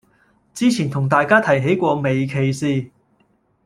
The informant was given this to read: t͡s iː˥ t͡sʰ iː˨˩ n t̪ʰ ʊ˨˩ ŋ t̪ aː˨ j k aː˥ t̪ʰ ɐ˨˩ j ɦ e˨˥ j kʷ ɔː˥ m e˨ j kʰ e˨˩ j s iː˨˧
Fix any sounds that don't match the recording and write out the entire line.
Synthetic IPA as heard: t͡s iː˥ t͡sʰ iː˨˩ n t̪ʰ ʊ˨˩ ŋ t̪ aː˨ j k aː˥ t̪ʰ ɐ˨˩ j ɦ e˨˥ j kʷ ɔː˧ m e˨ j kʰ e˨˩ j s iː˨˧